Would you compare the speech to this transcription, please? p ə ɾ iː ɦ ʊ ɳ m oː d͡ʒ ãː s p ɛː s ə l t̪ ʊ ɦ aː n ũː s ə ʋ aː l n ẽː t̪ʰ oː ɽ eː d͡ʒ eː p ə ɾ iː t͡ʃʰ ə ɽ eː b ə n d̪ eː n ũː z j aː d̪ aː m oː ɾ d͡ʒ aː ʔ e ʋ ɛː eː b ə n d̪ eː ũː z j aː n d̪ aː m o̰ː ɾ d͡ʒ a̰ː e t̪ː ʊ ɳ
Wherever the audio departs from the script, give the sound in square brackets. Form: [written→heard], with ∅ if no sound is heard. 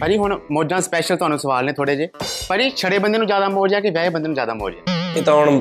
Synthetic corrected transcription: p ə ɾ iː ɦ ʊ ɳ m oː d͡ʒ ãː s p ɛː [s→ʃ] ə l t̪ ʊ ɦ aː n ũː s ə ʋ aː l n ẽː t̪ʰ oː ɽ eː d͡ʒ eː p ə ɾ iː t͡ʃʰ ə ɽ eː b ə n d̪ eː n ũː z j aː d̪ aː m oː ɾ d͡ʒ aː [ʔ→k] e ʋ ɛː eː b ə n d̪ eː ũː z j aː [n→∅] d̪ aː m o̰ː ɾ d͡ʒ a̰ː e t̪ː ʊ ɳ